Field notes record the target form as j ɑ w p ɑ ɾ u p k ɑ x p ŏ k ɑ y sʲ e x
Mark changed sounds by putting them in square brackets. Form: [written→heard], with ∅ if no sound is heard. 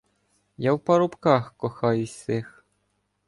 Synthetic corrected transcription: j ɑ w p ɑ ɾ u p k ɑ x [p→k] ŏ [k→x] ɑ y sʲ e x